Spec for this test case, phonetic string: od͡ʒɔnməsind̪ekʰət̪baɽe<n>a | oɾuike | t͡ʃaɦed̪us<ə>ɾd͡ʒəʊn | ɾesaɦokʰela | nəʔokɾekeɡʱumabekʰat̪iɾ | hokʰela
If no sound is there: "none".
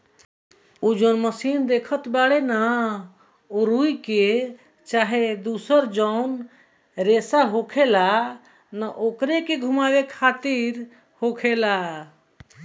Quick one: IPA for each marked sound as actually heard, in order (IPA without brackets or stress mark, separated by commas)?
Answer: n, ə